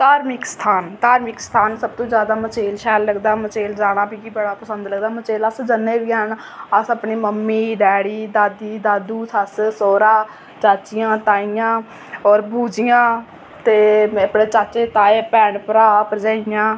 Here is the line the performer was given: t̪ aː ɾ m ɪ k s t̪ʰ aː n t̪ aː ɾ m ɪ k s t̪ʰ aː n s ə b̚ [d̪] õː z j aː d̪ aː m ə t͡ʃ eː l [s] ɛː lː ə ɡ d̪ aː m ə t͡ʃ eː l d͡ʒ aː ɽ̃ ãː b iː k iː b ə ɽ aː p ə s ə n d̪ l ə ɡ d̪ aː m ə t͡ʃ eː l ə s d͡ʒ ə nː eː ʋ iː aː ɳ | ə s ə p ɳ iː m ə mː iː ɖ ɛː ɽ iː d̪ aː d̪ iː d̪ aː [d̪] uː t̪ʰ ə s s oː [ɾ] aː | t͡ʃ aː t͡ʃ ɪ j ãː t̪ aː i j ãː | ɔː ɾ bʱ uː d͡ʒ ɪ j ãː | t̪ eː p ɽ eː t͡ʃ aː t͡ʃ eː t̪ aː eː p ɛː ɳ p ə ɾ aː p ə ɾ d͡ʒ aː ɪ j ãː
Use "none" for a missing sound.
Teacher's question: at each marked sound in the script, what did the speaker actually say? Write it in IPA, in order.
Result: t̪, ʃ, d̪, ɾ

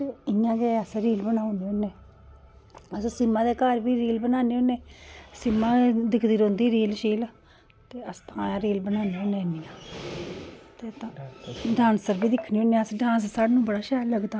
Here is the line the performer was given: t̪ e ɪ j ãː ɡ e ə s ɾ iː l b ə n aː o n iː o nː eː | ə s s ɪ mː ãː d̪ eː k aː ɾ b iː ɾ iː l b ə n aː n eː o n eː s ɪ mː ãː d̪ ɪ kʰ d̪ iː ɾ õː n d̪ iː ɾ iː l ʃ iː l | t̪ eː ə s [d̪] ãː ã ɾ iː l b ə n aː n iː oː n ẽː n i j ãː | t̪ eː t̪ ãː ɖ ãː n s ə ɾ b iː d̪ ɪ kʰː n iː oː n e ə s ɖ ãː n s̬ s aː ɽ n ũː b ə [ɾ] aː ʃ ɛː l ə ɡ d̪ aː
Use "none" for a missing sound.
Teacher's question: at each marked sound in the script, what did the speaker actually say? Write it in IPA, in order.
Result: t̪, ɽ

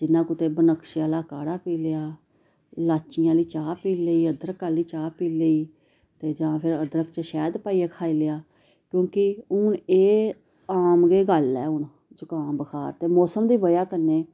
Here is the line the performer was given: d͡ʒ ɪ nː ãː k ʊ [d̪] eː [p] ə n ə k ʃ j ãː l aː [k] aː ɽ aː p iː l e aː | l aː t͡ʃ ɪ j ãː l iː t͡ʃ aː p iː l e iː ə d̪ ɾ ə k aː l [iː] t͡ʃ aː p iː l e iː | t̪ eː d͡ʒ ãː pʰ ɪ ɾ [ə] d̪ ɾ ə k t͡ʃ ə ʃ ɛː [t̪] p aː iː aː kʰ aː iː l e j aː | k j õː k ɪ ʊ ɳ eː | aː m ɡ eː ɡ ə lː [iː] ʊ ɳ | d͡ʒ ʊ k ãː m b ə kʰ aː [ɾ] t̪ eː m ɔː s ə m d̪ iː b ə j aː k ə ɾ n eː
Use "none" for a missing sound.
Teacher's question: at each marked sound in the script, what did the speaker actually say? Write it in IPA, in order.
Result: t̪, b, k, iː, ə, d̪, ɛː, ɾ

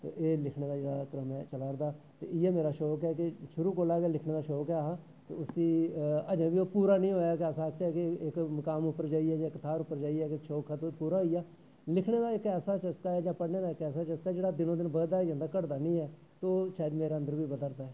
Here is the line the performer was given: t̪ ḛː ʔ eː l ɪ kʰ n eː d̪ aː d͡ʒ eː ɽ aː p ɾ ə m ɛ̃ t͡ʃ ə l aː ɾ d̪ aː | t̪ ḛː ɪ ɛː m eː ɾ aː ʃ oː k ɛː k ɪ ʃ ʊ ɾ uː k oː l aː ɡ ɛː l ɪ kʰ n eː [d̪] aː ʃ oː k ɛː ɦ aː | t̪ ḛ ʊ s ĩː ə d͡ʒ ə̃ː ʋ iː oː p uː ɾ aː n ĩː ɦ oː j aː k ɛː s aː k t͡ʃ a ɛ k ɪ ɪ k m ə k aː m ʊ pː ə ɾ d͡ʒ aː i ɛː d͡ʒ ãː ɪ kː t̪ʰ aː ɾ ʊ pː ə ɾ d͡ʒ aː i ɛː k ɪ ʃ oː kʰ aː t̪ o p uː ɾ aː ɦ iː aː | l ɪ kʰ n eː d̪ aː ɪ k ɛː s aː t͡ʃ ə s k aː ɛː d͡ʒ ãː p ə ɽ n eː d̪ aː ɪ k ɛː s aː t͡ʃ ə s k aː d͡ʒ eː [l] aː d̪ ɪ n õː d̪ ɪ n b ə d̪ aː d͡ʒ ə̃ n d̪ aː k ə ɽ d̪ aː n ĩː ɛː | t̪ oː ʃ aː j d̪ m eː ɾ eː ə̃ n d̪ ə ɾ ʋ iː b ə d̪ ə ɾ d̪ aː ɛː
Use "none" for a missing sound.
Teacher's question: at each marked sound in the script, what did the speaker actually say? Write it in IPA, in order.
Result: d̪, ɽ

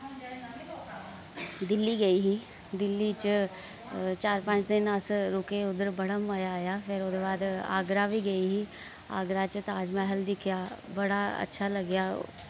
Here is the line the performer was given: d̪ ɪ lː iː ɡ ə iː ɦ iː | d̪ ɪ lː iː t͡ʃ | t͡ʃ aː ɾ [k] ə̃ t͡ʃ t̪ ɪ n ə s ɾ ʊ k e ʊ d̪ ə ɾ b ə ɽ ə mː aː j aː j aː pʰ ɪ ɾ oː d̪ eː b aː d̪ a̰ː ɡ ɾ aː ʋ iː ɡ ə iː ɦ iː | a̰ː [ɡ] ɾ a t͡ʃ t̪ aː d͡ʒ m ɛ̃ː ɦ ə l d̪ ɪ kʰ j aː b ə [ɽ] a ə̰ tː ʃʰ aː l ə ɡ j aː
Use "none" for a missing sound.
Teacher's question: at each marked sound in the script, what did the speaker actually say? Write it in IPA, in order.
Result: p, ɡ, ɽ

